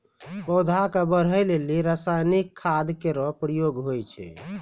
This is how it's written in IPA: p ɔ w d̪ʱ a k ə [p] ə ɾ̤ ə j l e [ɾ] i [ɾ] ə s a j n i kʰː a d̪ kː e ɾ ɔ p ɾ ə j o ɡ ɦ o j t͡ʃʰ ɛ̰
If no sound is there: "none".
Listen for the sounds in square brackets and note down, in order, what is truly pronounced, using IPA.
b, l, ɾ

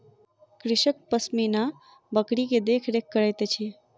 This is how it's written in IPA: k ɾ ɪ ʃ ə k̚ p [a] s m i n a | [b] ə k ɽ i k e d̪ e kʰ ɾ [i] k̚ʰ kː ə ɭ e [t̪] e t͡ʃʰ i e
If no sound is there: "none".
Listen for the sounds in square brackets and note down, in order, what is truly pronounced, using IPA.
ə, b, e, t̪

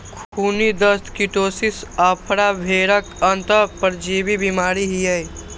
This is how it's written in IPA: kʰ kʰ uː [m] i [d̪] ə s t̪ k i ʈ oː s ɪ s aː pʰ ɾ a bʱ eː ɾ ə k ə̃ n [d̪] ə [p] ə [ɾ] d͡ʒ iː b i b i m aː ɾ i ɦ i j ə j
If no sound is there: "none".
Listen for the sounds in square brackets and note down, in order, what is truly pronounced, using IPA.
n, d̪, t̪, p, ɾ

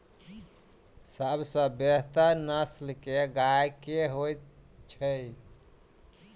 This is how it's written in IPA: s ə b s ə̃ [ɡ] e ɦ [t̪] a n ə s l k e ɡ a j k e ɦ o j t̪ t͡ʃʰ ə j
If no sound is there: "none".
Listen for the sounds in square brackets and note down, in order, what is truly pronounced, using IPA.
b, t̪

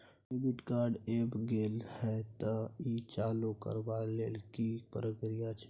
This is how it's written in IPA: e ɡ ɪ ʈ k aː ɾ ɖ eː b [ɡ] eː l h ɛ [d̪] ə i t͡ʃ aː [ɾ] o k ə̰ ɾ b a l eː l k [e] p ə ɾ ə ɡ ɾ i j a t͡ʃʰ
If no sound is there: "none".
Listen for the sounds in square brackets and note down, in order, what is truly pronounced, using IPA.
ɡ, t̪, l, i

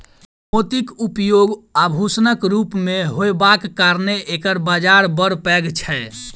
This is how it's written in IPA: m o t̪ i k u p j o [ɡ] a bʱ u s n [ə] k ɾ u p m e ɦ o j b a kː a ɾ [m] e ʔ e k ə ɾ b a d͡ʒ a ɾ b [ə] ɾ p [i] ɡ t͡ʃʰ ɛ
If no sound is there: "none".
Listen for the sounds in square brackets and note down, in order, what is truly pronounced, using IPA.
ɡ, ə, n, ə, ɛ

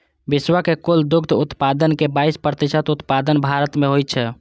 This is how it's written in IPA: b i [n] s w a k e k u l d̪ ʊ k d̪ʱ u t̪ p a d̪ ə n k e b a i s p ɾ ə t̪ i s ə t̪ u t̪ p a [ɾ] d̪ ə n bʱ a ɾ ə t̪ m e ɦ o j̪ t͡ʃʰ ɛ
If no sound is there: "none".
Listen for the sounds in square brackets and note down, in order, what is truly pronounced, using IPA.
none, none

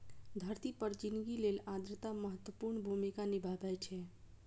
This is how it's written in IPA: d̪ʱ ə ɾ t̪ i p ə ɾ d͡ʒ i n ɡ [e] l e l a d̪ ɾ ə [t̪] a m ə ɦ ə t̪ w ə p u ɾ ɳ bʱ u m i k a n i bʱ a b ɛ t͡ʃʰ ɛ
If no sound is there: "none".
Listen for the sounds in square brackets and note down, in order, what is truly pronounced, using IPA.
i, t̪

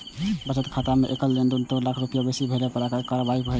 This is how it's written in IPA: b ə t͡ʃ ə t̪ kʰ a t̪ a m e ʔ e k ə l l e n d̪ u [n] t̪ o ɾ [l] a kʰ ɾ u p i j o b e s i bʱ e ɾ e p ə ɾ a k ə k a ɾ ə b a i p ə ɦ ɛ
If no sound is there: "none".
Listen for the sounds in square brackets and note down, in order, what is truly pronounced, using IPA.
n, l

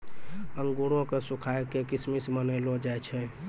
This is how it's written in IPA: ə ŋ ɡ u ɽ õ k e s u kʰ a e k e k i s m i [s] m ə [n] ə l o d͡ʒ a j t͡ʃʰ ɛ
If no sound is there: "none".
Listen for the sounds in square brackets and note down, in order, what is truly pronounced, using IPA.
s, n

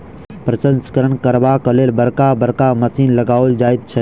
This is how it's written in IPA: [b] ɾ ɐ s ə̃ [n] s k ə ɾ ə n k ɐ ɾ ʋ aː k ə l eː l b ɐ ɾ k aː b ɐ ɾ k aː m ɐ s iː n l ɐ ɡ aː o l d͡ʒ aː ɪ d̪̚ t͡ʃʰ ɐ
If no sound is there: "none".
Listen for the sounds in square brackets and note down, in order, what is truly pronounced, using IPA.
p, n

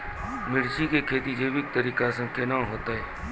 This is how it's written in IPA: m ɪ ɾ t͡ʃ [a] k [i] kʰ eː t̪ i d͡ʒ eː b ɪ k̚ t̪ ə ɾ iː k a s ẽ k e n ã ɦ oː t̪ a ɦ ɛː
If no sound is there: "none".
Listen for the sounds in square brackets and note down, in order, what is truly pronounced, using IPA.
i, e

